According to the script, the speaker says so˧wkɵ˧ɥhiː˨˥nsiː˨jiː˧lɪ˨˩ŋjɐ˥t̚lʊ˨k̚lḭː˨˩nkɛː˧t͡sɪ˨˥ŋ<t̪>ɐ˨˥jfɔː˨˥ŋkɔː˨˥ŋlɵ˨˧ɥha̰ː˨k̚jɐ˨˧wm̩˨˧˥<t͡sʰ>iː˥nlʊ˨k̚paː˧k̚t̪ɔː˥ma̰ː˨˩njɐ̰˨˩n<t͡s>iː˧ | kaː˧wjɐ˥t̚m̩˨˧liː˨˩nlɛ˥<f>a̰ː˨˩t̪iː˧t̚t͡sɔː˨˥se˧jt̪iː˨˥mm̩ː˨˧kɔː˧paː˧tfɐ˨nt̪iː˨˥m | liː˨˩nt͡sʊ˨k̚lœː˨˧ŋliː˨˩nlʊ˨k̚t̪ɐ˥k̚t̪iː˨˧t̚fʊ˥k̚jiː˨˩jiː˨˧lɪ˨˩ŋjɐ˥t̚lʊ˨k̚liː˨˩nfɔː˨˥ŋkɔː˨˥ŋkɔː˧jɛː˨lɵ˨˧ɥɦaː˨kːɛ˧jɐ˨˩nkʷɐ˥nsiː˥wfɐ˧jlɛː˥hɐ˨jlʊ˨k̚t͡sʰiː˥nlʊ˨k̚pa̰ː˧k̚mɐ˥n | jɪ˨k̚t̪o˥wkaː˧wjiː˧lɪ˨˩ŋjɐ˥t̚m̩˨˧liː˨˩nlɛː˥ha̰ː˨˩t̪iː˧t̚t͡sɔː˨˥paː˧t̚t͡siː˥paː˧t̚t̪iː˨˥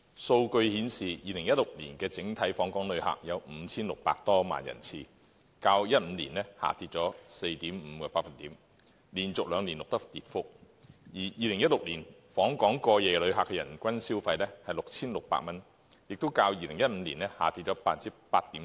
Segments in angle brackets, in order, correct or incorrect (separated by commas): incorrect, correct, incorrect, incorrect